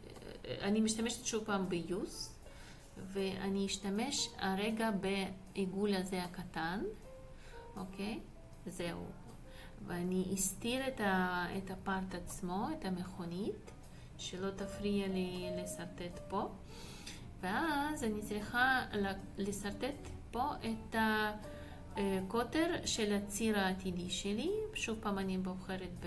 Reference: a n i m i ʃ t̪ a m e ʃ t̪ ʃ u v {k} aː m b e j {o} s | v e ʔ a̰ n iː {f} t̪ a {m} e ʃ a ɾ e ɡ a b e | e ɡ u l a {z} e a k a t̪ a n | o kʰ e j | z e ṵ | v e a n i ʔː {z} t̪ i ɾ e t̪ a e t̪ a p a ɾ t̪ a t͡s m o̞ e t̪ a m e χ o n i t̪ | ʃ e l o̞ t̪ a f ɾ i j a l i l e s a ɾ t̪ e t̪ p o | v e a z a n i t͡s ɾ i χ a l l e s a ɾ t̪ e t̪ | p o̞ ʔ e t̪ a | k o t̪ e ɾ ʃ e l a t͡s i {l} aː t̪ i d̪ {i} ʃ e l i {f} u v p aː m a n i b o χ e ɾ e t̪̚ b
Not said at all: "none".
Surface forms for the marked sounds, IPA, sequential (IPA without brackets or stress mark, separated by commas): p, u, ʃ, m, z, s, ɾ, i, ʃ